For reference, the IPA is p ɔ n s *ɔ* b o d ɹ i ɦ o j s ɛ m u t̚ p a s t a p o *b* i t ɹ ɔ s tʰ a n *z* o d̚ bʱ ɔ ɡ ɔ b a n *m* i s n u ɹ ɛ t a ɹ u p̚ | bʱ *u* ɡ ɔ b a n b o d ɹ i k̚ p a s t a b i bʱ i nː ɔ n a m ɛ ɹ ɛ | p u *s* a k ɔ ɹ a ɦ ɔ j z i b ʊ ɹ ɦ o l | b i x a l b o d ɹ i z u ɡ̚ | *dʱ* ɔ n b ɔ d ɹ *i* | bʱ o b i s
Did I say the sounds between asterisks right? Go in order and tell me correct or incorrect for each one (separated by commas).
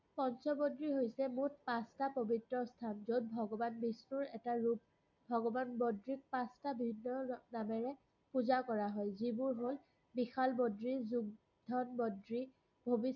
correct, correct, correct, incorrect, incorrect, incorrect, correct, correct